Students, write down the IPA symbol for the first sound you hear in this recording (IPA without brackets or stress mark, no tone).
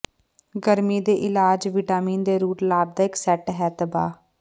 ɡ